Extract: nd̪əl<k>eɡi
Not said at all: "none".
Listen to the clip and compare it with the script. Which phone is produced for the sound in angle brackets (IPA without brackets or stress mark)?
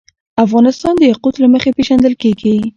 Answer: k